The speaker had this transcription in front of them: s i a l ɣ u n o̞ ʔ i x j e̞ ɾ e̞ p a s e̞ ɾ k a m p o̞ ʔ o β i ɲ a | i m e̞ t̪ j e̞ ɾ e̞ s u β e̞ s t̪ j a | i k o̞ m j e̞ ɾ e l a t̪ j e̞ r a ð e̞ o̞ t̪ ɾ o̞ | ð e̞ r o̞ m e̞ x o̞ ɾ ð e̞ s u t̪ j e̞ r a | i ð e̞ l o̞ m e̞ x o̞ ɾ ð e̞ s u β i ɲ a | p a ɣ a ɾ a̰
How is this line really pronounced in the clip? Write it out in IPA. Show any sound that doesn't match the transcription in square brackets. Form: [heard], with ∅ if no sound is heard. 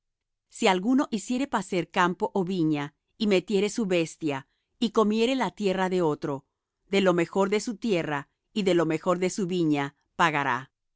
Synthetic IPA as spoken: s i a l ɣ u n o̞ ʔ i [s] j e̞ ɾ e̞ p a s e̞ ɾ k a m p o̞ ʔ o β i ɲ a | i m e̞ t̪ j e̞ ɾ e̞ s u β e̞ s t̪ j a | i k o̞ m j e̞ ɾ e l a t̪ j e̞ r a ð e̞ o̞ t̪ ɾ o̞ | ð e̞ [l] o̞ m e̞ x o̞ ɾ ð e̞ s u t̪ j e̞ r a | i ð e̞ l o̞ m e̞ x o̞ ɾ ð e̞ s u β i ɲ a | p a ɣ a ɾ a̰